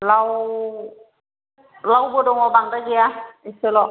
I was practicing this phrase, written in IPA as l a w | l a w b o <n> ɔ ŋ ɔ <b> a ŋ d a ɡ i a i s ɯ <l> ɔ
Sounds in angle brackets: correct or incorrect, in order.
incorrect: d, correct, correct

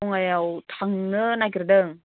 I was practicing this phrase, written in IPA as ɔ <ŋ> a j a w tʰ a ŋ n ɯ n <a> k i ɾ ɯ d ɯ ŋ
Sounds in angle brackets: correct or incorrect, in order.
correct, correct

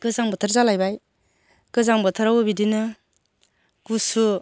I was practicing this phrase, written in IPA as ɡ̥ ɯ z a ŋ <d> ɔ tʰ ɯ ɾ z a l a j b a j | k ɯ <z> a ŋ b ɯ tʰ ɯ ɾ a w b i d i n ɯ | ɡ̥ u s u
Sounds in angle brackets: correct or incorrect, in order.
incorrect: b, correct

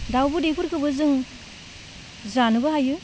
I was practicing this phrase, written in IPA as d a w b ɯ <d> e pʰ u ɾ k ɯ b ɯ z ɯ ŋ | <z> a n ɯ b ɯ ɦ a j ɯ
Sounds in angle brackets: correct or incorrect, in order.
correct, correct

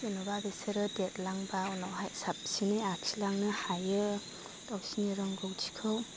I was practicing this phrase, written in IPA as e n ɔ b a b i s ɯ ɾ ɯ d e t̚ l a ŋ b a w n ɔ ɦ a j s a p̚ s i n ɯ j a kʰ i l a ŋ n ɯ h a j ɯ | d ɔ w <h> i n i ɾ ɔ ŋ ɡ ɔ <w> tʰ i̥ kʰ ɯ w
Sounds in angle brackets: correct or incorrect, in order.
incorrect: s, correct

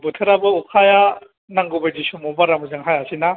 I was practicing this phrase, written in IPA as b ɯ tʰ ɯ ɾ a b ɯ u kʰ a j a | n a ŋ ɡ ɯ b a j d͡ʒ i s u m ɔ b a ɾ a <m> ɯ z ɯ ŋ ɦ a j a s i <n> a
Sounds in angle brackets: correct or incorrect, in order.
correct, correct

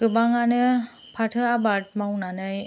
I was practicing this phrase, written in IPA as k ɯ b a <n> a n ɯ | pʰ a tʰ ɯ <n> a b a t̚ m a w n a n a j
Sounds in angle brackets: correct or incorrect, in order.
incorrect: ŋ, incorrect: none

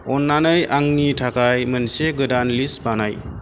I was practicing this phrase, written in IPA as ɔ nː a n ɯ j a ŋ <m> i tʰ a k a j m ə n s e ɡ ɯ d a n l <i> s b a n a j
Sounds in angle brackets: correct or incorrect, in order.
incorrect: n, correct

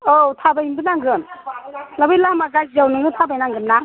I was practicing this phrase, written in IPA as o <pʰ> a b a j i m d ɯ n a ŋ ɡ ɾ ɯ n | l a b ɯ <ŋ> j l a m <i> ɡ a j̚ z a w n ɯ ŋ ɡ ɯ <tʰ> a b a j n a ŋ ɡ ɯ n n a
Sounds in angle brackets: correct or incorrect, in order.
incorrect: tʰ, incorrect: none, incorrect: a, correct

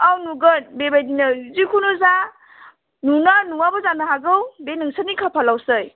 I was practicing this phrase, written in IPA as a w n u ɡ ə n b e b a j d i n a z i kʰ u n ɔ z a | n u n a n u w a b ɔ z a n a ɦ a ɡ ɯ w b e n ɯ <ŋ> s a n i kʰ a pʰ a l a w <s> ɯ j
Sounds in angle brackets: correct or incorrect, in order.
correct, correct

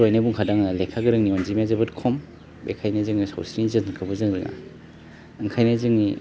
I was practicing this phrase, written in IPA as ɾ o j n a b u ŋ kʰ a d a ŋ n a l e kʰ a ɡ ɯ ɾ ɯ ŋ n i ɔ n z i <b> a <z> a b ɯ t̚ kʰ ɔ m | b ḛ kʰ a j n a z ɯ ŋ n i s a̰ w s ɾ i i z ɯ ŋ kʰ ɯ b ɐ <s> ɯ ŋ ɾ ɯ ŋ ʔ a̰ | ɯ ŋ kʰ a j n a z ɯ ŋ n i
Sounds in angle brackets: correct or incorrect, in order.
incorrect: m, correct, incorrect: z

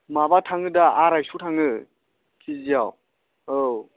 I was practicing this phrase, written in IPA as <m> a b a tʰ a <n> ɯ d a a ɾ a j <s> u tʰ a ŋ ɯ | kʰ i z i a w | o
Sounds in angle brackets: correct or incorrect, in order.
correct, incorrect: ŋ, correct

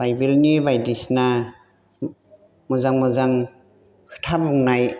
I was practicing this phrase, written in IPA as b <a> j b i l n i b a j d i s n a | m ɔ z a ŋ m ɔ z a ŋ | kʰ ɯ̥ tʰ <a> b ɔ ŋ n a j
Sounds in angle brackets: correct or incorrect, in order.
correct, correct

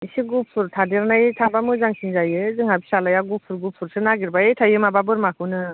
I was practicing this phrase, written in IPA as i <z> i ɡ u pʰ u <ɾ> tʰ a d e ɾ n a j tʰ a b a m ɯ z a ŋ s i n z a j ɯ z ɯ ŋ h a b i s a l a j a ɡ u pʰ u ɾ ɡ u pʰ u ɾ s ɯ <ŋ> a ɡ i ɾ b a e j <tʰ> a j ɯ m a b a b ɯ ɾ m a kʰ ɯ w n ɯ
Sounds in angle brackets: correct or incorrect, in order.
incorrect: s, correct, incorrect: n, correct

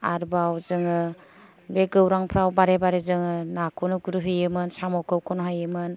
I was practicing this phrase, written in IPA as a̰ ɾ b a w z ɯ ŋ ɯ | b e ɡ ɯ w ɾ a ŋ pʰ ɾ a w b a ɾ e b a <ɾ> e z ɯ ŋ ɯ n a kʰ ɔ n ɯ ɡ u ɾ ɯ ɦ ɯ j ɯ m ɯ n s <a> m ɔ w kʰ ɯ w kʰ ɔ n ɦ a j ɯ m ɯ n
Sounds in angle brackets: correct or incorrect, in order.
correct, correct

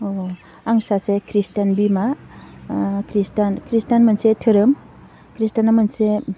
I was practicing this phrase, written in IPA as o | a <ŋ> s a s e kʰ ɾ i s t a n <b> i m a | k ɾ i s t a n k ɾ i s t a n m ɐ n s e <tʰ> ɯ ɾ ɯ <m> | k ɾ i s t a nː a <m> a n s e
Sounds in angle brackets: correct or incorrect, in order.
correct, correct, correct, correct, correct

